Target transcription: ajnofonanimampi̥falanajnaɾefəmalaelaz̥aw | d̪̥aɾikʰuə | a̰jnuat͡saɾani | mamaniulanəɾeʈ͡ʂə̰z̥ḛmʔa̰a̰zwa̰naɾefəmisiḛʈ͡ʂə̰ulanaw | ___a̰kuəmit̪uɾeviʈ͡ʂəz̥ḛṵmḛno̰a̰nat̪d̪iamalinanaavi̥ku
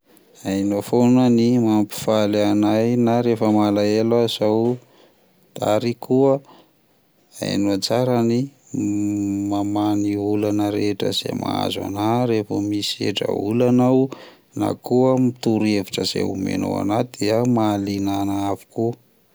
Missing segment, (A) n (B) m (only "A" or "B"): A